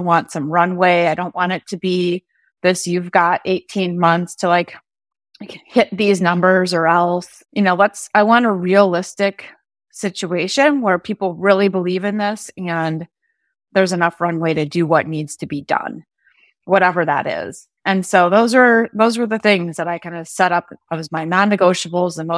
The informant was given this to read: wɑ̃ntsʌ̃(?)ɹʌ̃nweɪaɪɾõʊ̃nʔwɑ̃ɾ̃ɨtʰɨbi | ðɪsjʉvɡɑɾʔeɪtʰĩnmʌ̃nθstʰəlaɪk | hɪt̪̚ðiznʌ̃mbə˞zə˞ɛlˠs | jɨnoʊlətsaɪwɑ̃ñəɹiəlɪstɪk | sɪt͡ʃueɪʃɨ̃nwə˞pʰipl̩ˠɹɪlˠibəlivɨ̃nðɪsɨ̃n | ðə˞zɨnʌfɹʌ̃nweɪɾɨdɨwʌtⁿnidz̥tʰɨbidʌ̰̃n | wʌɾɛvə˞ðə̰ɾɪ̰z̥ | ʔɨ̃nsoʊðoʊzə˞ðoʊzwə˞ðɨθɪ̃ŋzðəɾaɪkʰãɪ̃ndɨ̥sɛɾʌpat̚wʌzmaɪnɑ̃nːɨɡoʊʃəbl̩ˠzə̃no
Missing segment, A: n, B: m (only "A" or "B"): B